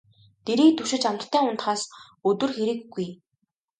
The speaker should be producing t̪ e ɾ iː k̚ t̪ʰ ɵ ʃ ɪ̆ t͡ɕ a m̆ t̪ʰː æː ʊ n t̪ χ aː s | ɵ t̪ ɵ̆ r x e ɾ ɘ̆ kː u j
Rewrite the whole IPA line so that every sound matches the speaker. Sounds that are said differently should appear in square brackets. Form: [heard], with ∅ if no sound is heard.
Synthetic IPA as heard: t̪ e ɾ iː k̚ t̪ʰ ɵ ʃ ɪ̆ t͡ɕ a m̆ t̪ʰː æː ʊ n t̪ χ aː s | ɵ t̪ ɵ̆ r x e ɾ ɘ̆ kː u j